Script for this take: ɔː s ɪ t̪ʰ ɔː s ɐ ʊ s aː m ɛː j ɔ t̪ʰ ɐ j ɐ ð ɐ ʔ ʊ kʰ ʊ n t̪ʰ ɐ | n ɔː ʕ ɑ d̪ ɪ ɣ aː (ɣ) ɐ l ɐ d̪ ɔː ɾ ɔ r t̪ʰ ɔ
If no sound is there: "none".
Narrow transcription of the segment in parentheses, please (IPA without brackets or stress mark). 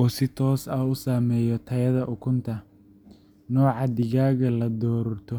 ɣ